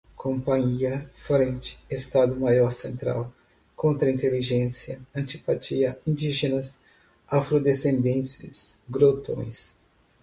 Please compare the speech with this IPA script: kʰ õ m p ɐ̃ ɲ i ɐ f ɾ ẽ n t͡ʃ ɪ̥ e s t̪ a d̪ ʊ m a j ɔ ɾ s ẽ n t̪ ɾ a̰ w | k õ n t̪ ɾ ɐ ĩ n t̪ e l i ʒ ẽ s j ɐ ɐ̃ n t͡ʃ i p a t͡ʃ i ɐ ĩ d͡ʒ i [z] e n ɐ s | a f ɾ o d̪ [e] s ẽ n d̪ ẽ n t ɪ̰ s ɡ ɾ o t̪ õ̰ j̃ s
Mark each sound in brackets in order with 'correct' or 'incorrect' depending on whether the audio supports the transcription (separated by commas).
incorrect, correct